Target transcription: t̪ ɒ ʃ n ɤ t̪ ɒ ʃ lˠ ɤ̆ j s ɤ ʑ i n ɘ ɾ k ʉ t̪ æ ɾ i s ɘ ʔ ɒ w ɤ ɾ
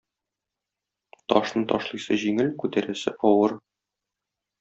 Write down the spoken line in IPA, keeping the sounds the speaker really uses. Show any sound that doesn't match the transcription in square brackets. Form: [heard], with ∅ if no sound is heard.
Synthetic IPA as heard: t̪ ɒ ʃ n ɤ t̪ ɒ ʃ lˠ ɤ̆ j s ɤ ʑ i [ŋ] ɘ [l] k ʉ t̪ æ ɾ [æ] s ɘ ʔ ɒ w ɤ ɾ